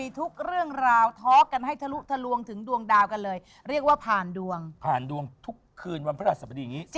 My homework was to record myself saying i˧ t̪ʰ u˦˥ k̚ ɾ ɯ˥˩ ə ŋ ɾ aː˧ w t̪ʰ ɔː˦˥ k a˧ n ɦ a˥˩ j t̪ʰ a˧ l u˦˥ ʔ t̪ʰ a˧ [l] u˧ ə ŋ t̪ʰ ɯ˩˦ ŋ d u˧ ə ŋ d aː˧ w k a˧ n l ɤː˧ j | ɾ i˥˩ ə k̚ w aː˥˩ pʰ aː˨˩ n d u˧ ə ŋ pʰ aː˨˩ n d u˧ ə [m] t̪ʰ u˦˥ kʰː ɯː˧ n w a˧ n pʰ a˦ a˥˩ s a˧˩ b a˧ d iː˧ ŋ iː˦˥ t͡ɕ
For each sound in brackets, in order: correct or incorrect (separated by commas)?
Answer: correct, incorrect